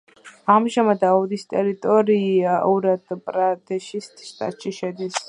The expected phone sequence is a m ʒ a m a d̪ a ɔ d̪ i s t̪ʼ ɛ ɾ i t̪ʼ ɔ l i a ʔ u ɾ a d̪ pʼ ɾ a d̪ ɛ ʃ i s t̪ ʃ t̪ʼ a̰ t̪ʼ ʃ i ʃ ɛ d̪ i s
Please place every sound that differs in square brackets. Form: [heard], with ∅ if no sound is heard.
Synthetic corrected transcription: a m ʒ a m a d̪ a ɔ d̪ i s t̪ʼ ɛ ɾ i t̪ʼ ɔ [ɾ] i a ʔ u ɾ a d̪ pʼ ɾ a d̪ ɛ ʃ i s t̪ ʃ t̪ʼ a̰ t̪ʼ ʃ i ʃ ɛ d̪ i s